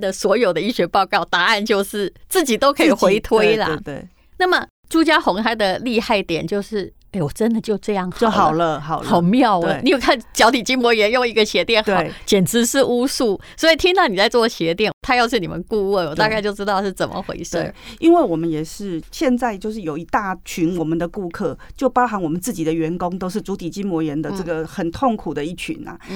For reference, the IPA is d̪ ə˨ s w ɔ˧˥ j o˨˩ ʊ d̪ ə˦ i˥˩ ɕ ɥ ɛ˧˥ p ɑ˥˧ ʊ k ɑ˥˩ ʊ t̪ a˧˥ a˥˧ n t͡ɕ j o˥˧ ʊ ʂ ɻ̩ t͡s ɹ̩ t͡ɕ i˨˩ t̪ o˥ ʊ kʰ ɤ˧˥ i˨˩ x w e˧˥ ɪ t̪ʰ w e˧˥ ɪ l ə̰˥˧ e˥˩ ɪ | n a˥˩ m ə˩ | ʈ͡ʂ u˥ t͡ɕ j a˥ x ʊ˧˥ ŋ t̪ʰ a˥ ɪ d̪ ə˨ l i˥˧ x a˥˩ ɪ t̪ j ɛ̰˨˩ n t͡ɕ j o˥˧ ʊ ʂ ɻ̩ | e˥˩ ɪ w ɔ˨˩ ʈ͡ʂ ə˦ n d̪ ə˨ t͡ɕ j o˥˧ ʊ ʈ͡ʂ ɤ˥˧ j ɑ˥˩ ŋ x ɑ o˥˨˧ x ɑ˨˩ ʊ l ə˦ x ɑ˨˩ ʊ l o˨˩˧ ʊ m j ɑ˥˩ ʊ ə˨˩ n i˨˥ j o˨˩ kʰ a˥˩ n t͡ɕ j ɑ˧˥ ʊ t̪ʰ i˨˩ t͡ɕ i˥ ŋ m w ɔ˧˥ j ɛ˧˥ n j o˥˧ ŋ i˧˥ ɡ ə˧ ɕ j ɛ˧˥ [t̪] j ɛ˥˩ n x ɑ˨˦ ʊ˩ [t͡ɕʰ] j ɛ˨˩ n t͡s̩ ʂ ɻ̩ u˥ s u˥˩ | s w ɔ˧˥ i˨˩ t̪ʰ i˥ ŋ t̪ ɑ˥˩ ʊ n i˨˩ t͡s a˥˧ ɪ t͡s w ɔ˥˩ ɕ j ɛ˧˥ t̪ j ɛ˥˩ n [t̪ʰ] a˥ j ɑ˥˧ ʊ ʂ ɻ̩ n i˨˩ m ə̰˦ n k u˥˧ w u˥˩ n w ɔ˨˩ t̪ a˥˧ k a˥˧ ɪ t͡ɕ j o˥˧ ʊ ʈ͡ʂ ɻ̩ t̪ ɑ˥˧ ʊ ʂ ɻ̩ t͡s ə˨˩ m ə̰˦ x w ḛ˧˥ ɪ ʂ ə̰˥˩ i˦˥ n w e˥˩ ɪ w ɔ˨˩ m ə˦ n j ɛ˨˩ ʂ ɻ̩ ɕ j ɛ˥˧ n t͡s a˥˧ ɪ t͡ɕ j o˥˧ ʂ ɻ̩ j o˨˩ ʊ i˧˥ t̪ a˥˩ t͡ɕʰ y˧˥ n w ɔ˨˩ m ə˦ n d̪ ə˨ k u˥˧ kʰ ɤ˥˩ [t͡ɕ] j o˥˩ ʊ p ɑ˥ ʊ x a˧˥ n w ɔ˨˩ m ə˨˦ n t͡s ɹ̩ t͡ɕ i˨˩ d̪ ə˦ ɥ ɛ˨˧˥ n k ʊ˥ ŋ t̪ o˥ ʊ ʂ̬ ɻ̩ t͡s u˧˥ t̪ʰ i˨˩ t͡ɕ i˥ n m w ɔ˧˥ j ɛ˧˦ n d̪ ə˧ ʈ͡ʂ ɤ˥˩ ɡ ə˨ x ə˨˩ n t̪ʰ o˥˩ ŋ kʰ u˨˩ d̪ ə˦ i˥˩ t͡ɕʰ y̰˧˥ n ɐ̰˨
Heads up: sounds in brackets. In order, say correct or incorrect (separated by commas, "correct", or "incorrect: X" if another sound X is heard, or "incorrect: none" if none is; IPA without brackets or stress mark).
correct, incorrect: t͡ɕ, correct, correct